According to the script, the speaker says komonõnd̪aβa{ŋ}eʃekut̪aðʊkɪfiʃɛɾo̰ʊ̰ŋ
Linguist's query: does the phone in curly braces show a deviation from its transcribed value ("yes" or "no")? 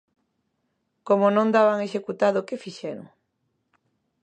no